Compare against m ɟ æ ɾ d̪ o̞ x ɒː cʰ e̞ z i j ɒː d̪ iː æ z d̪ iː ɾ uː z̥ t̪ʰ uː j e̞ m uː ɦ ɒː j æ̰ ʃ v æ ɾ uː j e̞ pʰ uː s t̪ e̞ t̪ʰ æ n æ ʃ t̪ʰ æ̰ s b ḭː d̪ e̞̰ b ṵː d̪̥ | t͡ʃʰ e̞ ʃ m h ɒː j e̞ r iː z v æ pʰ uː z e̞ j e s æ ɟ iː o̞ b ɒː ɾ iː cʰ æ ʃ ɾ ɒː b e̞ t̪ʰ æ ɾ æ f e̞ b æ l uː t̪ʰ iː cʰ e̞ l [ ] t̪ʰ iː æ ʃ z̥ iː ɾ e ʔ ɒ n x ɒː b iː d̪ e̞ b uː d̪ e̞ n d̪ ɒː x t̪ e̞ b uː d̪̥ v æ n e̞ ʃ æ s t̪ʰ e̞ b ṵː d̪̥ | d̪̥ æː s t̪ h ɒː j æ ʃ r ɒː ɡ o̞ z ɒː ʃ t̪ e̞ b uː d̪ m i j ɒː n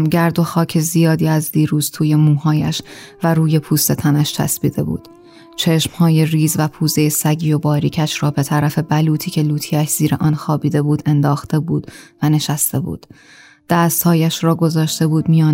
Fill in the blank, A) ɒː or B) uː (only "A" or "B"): B